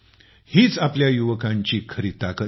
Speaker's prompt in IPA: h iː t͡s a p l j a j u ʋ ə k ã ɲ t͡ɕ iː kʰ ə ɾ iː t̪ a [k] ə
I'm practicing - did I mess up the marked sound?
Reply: no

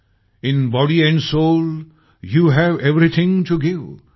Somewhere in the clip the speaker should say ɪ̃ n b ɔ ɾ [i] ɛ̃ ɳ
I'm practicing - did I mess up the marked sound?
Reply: no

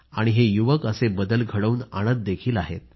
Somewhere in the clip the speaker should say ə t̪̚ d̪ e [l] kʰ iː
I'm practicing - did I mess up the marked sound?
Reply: yes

